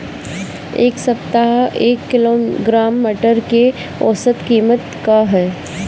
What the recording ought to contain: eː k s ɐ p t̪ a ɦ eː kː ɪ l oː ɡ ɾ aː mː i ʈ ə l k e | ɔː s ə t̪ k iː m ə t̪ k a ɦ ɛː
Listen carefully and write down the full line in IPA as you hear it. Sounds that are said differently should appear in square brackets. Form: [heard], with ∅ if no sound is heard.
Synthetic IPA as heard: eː k s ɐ p t̪ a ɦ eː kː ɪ l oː ɡ ɾ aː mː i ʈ ə [ɾ] k e | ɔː s ə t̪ k iː m ə t̪ k a ɦ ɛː